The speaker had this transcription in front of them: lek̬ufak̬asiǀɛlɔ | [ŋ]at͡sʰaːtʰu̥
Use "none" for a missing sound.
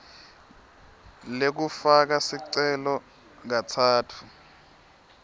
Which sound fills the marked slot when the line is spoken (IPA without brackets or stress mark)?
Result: ŋ